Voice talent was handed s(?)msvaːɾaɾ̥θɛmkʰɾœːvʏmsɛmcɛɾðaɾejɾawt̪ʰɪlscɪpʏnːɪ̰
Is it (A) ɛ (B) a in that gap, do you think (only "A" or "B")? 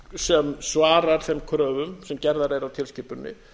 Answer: A